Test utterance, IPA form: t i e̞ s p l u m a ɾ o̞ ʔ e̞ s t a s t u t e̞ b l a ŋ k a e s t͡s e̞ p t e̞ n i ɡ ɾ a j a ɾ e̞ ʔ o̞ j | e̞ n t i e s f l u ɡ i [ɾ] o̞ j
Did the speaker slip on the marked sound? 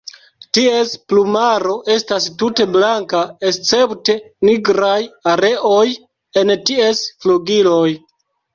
yes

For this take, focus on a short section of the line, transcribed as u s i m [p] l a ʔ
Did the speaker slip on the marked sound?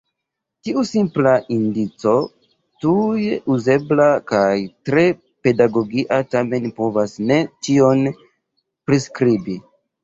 no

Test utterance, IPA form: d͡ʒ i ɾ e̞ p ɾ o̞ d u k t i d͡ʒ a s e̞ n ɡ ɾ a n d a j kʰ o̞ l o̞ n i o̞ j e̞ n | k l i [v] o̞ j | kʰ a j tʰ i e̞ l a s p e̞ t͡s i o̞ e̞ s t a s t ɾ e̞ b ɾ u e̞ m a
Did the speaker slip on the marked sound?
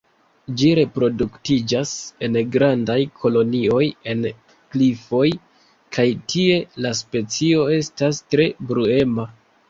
yes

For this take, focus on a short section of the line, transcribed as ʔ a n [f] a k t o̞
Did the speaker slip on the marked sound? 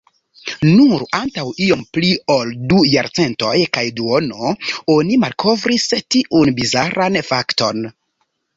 no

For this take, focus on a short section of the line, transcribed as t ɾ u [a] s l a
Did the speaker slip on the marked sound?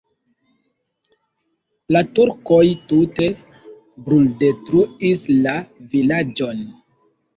yes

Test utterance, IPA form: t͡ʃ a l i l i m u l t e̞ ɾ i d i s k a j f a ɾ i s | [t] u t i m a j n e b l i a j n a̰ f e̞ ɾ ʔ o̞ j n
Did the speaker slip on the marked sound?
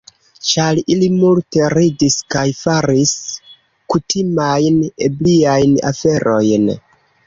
yes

